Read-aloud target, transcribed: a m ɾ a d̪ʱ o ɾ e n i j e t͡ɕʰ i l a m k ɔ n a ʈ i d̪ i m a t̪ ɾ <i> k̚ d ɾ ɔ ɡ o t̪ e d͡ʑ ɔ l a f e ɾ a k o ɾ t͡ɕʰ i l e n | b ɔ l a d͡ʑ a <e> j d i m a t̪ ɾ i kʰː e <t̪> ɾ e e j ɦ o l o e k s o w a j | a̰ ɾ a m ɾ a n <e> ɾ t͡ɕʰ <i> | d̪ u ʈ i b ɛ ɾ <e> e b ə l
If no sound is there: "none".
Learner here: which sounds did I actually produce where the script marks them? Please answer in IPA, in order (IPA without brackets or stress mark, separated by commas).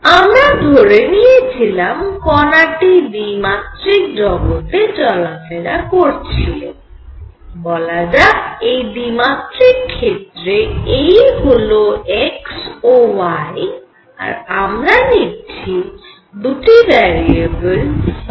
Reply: i, e, t̪, i, i, i